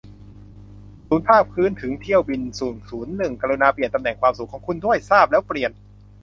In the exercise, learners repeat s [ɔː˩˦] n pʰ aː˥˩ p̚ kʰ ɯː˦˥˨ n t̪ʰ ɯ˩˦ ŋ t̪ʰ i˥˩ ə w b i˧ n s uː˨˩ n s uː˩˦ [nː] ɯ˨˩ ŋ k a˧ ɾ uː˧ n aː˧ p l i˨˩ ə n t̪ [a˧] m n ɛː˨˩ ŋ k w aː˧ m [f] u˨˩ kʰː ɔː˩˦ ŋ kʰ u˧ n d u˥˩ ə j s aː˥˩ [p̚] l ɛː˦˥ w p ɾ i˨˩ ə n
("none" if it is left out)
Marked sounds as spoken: uː˩˦, nː, a˧, s, p̚

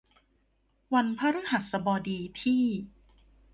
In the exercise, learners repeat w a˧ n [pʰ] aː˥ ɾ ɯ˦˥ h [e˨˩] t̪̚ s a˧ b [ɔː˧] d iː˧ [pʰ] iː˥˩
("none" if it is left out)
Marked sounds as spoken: pʰ, a˨˩, ɔː˧, pʰ

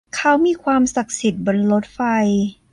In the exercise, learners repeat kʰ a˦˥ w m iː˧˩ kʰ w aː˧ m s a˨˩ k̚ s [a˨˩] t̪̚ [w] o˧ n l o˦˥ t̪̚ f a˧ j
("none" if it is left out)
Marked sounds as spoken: i˨˩, b

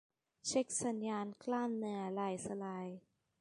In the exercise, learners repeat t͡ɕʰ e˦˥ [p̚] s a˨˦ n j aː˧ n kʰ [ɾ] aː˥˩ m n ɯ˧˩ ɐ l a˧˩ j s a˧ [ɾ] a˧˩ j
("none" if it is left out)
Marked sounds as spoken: k̚, l, l

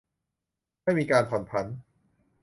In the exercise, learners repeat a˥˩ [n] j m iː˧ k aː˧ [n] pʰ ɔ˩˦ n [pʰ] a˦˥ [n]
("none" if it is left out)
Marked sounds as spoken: none, n, pʰ, n

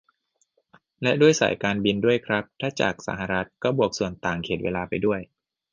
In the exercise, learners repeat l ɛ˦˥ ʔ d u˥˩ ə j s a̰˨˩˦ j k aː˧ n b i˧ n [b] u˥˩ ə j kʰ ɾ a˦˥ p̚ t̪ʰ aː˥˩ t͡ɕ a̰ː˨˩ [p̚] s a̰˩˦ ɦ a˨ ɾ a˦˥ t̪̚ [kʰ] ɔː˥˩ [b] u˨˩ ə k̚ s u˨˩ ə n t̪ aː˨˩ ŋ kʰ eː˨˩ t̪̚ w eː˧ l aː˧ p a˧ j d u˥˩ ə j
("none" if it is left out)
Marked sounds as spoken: d, k̚, k, b

